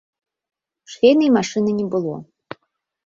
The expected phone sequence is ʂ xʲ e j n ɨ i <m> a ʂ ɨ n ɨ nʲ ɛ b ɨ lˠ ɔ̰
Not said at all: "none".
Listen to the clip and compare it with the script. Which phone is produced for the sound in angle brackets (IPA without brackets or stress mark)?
m